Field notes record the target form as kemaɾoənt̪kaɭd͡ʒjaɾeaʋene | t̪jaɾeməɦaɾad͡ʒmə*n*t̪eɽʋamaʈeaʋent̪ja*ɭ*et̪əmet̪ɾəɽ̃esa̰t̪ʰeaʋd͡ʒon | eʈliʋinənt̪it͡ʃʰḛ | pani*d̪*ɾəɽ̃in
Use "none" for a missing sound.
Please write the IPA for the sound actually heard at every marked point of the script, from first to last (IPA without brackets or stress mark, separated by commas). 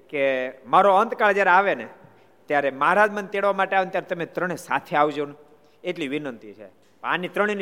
n, ɾ, t̪